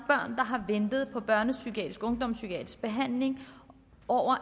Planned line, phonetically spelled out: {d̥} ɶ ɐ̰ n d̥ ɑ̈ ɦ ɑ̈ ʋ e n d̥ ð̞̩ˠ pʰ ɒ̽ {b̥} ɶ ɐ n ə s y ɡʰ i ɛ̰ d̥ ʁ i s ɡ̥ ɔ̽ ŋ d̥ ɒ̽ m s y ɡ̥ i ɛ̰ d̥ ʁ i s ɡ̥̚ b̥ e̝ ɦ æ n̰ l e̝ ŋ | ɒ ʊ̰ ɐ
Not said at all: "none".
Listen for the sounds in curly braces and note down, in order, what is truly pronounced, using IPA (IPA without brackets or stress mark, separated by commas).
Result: b̥, b̥